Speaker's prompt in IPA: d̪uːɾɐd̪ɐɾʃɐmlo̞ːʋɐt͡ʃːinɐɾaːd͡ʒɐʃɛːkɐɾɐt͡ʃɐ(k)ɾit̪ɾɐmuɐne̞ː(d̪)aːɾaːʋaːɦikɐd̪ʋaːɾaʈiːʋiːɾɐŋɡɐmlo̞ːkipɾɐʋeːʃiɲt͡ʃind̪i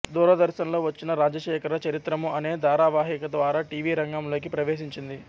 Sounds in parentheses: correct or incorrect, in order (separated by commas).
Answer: incorrect, correct